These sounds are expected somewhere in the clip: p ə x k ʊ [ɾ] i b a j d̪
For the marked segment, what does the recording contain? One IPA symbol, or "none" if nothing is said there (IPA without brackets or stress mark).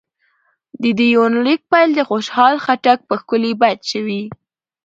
l